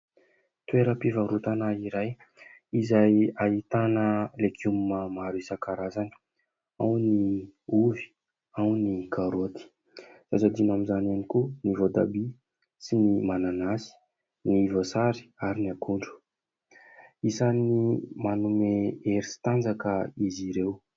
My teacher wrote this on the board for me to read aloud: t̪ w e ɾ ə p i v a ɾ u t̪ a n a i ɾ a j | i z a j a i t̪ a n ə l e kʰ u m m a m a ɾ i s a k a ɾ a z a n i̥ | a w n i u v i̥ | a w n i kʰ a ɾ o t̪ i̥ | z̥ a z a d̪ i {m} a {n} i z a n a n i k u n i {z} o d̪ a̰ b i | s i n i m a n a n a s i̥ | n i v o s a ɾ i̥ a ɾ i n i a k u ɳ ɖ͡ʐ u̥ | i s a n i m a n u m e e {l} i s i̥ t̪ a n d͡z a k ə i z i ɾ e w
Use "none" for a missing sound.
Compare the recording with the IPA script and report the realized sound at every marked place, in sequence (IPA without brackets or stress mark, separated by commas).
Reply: n, m, v, ɾ